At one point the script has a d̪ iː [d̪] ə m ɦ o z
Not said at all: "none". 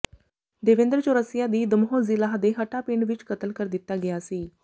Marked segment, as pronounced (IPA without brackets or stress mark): d̪